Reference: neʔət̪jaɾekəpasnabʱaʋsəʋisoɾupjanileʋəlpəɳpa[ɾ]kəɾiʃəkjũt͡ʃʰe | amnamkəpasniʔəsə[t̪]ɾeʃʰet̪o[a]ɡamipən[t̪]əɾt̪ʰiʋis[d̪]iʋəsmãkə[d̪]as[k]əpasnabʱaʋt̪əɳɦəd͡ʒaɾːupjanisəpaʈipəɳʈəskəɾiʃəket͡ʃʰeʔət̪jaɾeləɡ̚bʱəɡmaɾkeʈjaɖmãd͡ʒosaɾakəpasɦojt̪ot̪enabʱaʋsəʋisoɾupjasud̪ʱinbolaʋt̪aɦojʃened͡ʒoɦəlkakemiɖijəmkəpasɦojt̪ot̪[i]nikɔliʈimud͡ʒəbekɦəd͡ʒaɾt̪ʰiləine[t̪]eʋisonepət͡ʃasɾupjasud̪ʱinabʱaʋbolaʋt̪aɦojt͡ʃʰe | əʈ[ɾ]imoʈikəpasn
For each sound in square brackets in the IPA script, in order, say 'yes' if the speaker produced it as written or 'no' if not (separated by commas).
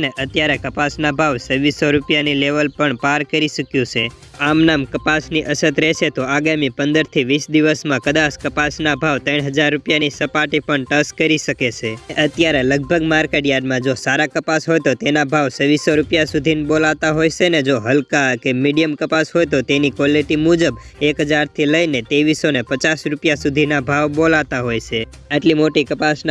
yes, yes, yes, no, yes, yes, yes, no, yes, no